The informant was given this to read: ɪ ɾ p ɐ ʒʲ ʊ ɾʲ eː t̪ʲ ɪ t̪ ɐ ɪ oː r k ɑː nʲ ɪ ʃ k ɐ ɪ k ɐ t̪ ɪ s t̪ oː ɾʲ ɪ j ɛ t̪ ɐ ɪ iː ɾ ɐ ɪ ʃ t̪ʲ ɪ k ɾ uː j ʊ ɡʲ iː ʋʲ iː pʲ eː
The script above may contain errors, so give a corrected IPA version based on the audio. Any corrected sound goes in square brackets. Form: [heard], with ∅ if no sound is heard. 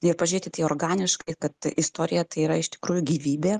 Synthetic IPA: ɪ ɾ p ɐ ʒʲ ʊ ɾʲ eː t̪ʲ ɪ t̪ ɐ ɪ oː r [ɡ] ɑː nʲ ɪ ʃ k ɐ ɪ k ɐ t̪ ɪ s t̪ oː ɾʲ ɪ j ɛ t̪ ɐ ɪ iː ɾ ɐ ɪ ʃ t̪ʲ ɪ k ɾ uː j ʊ ɡʲ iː ʋʲ iː [bʲ] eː

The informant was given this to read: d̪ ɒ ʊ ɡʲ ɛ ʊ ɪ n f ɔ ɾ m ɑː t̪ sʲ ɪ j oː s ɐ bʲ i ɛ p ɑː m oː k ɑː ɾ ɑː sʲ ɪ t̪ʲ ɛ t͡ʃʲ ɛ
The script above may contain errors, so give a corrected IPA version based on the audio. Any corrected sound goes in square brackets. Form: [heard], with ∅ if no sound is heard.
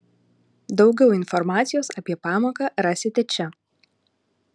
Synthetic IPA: d̪ ɒ ʊ ɡʲ ɛ ʊ ɪ n f ɔ ɾ m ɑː t̪ sʲ ɪ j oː s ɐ [pʲ] i ɛ p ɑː m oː k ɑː ɾ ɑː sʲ ɪ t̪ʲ ɛ t͡ʃʲ ɛ

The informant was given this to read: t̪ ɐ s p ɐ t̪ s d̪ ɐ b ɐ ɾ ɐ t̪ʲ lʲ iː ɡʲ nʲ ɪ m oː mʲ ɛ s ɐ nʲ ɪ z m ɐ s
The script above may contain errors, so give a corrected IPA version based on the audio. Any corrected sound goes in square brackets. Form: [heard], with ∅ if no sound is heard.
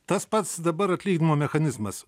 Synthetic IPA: t̪ ɐ s p ɐ t̪ s d̪ ɐ b ɐ ɾ ɐ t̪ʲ lʲ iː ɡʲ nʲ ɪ m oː mʲ ɛ [x] ɐ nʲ ɪ z m ɐ s

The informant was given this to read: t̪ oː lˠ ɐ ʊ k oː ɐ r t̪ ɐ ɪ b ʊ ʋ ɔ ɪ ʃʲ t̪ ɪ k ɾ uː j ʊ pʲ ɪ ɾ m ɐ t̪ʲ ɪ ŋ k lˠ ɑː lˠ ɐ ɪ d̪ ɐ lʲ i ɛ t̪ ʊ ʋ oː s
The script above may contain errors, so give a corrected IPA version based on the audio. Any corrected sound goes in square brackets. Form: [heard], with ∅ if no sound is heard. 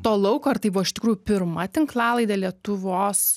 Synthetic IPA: t̪ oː lˠ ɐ ʊ k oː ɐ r t̪ ɐ ɪ b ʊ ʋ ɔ ɪ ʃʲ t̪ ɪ k ɾ uː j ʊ pʲ ɪ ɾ m ɐ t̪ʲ ɪ ŋ k lˠ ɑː lˠ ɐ ɪ d̪ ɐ lʲ i ɛ t̪ ʊ ʋ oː s

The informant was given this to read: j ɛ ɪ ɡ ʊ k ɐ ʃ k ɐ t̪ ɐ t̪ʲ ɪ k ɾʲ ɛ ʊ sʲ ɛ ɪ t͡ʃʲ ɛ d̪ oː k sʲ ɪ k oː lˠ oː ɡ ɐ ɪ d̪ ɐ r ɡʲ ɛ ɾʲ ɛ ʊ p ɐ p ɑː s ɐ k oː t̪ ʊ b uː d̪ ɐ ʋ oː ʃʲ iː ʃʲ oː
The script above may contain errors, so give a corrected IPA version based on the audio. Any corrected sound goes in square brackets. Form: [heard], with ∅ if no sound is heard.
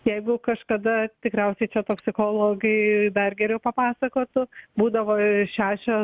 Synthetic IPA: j ɛ ɪ ɡ ʊ k ɐ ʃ k ɐ [d̪] ɐ t̪ʲ ɪ k ɾʲ ɛ ʊ sʲ ɛ ɪ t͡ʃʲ ɛ [t̪] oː k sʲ ɪ k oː lˠ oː ɡ ɐ ɪ d̪ ɐ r ɡʲ ɛ ɾʲ ɛ ʊ p ɐ p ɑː s ɐ k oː t̪ ʊ b uː d̪ ɐ ʋ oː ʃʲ [æː] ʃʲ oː

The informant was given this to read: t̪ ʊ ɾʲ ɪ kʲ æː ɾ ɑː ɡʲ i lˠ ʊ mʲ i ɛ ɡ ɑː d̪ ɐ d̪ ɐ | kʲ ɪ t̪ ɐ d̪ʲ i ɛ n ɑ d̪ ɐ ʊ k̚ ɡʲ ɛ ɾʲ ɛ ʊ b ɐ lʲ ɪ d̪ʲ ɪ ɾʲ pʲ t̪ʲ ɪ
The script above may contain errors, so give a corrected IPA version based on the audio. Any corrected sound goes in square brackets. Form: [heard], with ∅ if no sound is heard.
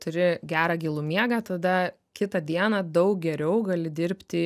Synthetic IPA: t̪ ʊ ɾʲ ɪ [ɡʲ] æː ɾ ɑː ɡʲ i lˠ ʊ mʲ i ɛ ɡ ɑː [t̪] ɐ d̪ ɐ | kʲ ɪ t̪ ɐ d̪ʲ i ɛ n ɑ d̪ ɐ ʊ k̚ ɡʲ ɛ ɾʲ ɛ ʊ [ɡ] ɐ lʲ ɪ d̪ʲ ɪ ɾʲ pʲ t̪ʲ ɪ

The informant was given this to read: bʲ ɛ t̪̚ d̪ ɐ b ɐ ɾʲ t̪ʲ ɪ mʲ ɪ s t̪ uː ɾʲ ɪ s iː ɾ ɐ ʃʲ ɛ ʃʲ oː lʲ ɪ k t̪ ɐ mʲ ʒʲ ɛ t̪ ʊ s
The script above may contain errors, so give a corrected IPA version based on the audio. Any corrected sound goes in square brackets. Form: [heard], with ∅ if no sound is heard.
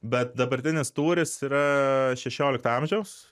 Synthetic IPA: bʲ ɛ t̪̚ d̪ ɐ b ɐ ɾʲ t̪ʲ ɪ [nʲ] ɪ s t̪ uː ɾʲ ɪ s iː ɾ ɐ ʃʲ ɛ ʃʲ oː lʲ ɪ k t̪ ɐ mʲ ʒʲ ɛ [∅] ʊ s

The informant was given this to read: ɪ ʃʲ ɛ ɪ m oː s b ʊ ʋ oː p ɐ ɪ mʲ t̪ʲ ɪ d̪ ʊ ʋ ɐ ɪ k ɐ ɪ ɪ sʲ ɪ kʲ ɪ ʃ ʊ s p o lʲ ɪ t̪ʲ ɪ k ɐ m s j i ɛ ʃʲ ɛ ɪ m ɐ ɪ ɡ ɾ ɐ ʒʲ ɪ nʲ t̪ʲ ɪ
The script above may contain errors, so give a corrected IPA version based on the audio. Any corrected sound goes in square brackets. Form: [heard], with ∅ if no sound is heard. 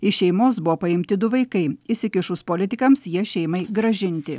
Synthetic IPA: ɪ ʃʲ ɛ ɪ m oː s b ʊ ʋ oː p ɐ ɪ mʲ t̪ʲ ɪ d̪ ʊ ʋ ɐ ɪ k ɐ ɪ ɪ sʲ ɪ kʲ ɪ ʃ ʊ s p o lʲ ɪ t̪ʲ ɪ k ɐ m s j i ɛ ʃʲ ɛ ɪ m ɐ ɪ ɡ ɾ ɐ ʒʲ ɪ nʲ t̪ʲ ɪ

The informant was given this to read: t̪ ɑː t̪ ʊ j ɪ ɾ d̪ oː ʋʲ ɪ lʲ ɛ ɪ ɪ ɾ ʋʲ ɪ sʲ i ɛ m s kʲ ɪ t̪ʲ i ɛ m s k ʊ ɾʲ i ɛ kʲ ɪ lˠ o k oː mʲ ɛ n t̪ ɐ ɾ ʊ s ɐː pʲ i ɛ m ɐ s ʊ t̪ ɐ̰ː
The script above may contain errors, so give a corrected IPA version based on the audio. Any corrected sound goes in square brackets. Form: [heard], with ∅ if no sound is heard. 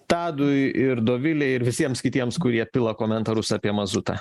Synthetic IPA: t̪ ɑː [d̪] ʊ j ɪ ɾ d̪ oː ʋʲ ɪ lʲ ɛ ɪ ɪ ɾ ʋʲ ɪ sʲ i ɛ m s kʲ ɪ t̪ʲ i ɛ m s k ʊ ɾʲ i ɛ [pʲ] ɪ lˠ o k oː mʲ ɛ n t̪ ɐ ɾ ʊ s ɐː pʲ i ɛ m ɐ [z] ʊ t̪ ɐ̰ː

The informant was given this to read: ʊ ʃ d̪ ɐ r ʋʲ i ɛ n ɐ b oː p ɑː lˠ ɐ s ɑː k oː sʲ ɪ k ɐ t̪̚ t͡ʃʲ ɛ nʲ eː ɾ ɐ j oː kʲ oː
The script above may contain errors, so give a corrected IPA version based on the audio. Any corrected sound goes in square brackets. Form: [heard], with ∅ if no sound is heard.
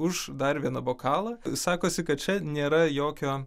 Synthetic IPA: ʊ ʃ d̪ ɐ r ʋʲ i ɛ n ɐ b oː [k] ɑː lˠ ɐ s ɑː k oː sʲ ɪ k ɐ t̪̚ t͡ʃʲ ɛ nʲ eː ɾ ɐ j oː kʲ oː

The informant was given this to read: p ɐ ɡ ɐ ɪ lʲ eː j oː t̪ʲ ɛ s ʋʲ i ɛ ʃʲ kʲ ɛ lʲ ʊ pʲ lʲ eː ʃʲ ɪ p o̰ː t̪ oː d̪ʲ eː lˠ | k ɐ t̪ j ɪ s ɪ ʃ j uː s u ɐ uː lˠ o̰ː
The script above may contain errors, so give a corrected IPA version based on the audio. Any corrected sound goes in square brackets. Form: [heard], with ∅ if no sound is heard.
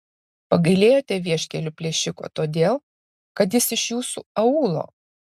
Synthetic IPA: p ɐ ɡ ɐ ɪ lʲ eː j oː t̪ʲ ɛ [∅] ʋʲ i ɛ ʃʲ kʲ ɛ lʲ ʊ pʲ lʲ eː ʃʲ ɪ [k] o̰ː t̪ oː d̪ʲ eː lˠ | k ɐ t̪ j ɪ s ɪ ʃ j uː s u ɐ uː lˠ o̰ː

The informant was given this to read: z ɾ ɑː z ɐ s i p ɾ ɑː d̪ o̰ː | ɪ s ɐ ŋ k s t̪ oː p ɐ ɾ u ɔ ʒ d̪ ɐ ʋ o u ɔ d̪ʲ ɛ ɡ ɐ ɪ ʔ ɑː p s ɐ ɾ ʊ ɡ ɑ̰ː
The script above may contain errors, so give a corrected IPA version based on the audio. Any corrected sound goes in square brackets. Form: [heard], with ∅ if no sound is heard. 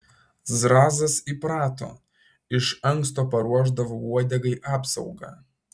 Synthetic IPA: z ɾ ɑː z ɐ s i p ɾ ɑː [t̪] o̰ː | ɪ [ʃ] ɐ ŋ k s t̪ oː p ɐ ɾ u ɔ ʒ d̪ ɐ ʋ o u ɔ d̪ʲ ɛ ɡ ɐ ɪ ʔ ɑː p s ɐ [∅] ʊ ɡ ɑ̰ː

